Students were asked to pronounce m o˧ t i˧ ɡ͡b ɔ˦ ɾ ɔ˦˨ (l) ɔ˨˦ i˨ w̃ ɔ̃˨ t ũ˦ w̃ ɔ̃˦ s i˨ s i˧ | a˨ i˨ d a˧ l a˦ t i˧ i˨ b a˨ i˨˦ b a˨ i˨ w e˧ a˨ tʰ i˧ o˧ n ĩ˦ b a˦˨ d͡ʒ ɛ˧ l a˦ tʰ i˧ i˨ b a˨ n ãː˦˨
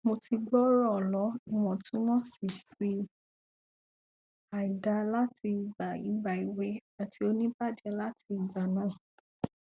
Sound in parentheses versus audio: correct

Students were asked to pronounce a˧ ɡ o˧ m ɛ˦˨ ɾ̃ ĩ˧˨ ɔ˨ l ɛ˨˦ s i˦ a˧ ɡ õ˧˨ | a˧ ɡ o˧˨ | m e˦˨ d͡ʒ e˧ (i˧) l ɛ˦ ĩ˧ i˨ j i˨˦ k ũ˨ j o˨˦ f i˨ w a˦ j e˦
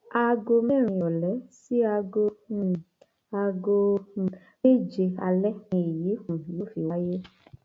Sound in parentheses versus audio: incorrect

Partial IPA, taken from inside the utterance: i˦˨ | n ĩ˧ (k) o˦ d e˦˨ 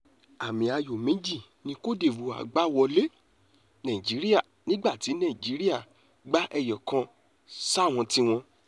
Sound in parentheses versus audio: correct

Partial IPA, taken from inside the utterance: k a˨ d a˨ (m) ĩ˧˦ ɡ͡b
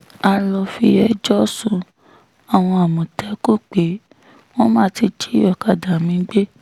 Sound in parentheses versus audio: correct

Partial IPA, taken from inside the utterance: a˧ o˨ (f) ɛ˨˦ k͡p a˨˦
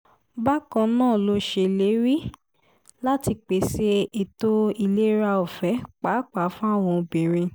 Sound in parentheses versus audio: correct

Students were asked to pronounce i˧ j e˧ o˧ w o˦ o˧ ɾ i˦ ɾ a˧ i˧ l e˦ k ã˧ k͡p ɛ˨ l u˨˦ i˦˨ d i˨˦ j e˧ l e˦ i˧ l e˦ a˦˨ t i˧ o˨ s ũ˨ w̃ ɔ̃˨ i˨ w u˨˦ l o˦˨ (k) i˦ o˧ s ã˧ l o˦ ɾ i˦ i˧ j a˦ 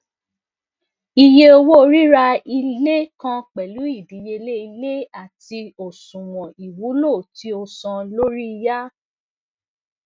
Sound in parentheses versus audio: incorrect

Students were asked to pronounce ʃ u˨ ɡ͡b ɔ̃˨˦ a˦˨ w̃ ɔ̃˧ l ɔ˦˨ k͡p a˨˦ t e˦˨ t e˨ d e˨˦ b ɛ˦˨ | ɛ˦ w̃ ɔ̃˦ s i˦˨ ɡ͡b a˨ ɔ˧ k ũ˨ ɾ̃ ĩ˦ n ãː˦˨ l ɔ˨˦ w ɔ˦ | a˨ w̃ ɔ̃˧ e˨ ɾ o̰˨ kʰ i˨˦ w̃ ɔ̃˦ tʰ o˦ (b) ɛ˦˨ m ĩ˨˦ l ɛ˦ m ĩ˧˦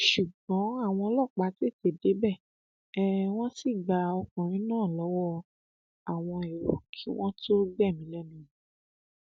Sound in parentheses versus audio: incorrect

